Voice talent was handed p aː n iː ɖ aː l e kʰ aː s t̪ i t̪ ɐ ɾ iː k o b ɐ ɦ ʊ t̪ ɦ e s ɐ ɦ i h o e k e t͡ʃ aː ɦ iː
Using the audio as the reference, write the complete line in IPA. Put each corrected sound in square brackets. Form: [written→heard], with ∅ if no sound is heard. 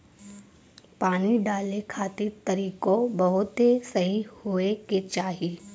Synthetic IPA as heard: p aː n [iː→i] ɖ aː l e kʰ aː [s→∅] t̪ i t̪ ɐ ɾ iː k o b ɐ ɦ ʊ t̪ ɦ e s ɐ ɦ i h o e k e t͡ʃ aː ɦ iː